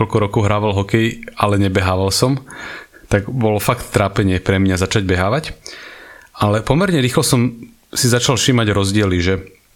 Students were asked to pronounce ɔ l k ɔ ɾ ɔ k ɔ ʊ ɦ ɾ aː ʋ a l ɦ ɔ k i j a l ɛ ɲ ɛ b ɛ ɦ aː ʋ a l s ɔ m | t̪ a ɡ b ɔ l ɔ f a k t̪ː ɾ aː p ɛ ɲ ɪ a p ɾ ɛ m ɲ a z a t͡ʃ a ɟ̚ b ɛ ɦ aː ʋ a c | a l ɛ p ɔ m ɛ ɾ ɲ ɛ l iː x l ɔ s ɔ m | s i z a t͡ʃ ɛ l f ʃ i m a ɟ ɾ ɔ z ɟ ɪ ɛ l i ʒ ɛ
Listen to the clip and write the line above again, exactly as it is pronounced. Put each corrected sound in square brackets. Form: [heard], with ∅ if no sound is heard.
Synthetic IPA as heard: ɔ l k ɔ ɾ ɔ k ɔ ʊ ɦ ɾ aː ʋ a l ɦ ɔ k [ɛ] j a l ɛ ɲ ɛ b ɛ ɦ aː ʋ a l s ɔ m | t̪ a ɡ b ɔ l ɔ f a k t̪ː ɾ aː p ɛ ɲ ɪ [ɛ] p ɾ ɛ m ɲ a z a t͡ʃ a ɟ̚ b ɛ ɦ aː ʋ a c | a l ɛ p ɔ m ɛ ɾ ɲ ɛ [ɾ] iː x l ɔ s ɔ m | s i z a t͡ʃ [a] l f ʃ i m a ɟ ɾ ɔ z ɟ ɪ ɛ l i ʒ ɛ